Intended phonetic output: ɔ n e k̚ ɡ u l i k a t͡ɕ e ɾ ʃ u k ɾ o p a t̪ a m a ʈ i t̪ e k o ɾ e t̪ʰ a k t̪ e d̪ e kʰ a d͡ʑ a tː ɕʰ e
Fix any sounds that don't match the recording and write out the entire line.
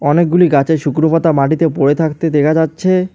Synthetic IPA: ɔ n e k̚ ɡ u l i ɡ a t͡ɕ e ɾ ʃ u k ɾ o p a t̪ a m a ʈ i t̪ e p o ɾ e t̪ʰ a k t̪ e d̪ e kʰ a d͡ʑ a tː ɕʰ e